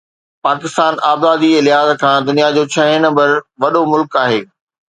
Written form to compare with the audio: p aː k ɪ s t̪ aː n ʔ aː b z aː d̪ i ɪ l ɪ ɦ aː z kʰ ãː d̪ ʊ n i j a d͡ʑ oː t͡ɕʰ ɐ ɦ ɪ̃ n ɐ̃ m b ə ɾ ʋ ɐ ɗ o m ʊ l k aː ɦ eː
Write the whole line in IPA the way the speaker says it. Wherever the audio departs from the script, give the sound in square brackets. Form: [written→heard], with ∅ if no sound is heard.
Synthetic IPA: p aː k ɪ s t̪ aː n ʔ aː b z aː d̪ i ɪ l ɪ ɦ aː z kʰ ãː d̪ ʊ n i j a d͡ʑ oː t͡ɕʰ ɐ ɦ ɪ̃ n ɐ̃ m b ə ɾ ʋ ɐ ɗ o m ʊ l k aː ɦ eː